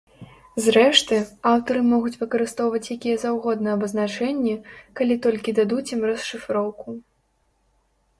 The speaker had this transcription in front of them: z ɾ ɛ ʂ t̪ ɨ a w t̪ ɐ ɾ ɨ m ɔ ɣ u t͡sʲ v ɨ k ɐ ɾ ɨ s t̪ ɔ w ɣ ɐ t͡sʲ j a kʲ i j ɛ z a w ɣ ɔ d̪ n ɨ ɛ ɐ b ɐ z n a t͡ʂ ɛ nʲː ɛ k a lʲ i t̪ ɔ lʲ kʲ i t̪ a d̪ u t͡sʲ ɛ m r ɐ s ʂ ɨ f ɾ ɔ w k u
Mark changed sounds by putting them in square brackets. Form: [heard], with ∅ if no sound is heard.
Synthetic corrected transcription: z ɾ ɛ ʂ t̪ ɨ a w t̪ ɐ ɾ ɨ m ɔ ɣ u t͡sʲ v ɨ k ɐ ɾ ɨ s t̪ ɔ w [v] ɐ t͡sʲ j a kʲ i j ɛ z a w ɣ ɔ d̪ n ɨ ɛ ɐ b ɐ z n a t͡ʂ ɛ nʲː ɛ k a lʲ i t̪ ɔ lʲ kʲ i [d̪] a d̪ u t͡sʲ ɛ m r ɐ s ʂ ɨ f ɾ ɔ w k u